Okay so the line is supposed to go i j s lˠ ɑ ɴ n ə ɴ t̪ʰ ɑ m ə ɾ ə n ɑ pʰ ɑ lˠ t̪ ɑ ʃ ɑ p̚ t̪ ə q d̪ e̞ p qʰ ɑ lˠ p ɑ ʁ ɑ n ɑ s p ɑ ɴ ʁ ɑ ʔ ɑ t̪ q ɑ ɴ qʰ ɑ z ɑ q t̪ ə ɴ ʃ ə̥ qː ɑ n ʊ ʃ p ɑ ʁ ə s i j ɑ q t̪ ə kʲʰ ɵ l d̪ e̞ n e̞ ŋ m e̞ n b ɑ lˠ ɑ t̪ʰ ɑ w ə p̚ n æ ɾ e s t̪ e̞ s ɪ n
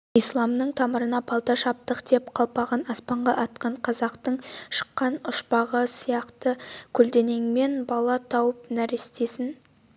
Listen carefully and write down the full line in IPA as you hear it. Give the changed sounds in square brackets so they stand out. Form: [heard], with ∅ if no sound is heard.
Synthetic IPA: i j s lˠ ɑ [m] n ə ɴ t̪ʰ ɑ m ə ɾ ə n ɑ pʰ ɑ lˠ t̪ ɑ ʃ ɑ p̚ t̪ ə q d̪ e̞ p qʰ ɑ lˠ p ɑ ʁ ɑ n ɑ s p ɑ ɴ ʁ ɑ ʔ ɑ t̪ q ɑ ɴ qʰ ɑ z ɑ q t̪ ə ɴ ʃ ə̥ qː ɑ n ʊ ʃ p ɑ ʁ ə s i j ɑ q t̪ ə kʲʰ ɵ l d̪ e̞ n e̞ ŋ m e̞ n b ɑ lˠ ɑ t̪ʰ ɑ w ə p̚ n æ ɾ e s t̪ e̞ s ɪ n